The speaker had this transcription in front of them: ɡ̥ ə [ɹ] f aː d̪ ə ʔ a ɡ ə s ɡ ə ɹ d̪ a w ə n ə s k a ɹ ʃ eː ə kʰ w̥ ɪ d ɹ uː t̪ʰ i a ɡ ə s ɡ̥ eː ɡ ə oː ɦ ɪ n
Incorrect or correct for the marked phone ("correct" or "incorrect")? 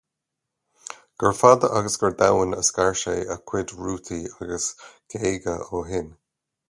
correct